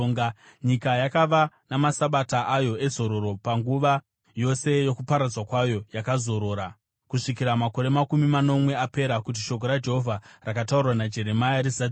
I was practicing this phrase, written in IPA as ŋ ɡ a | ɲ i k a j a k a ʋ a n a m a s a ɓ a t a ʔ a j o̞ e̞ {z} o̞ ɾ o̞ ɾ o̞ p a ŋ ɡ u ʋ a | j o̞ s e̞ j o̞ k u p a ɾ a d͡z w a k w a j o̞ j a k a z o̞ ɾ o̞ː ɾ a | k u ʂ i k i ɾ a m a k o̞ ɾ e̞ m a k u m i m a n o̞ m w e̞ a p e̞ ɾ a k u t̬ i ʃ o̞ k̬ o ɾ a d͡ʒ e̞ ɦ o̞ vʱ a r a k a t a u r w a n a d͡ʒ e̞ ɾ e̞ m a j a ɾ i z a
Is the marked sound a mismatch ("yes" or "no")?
no